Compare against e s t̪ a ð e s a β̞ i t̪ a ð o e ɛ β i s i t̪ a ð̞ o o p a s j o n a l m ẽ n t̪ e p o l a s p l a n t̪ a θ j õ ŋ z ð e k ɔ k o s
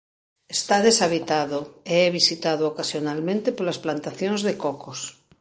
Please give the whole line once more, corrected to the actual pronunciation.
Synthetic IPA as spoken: e s t̪ a ð e s a β̞ i t̪ a ð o e ɛ β i s i t̪ a ð̞ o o k a s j o n a l m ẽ n t̪ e p o l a s p l a n t̪ a θ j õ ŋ z ð e k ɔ k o s